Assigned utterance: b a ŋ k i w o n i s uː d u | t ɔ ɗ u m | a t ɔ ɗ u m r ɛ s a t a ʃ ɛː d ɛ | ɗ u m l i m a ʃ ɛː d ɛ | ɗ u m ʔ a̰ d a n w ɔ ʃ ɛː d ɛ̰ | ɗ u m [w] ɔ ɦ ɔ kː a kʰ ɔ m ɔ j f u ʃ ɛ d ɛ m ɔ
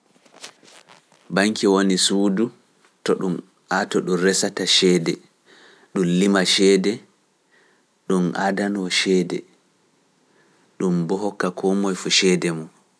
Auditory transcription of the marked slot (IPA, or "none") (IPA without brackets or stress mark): b